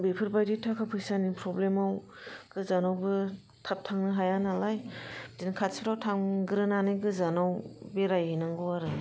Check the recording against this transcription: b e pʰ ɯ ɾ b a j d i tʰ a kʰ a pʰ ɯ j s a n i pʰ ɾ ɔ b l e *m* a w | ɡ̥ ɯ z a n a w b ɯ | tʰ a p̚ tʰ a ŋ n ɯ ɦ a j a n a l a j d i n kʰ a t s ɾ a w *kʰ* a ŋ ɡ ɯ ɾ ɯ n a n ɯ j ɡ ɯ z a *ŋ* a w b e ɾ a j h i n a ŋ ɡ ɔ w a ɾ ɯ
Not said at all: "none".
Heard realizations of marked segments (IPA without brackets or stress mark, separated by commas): m, tʰ, n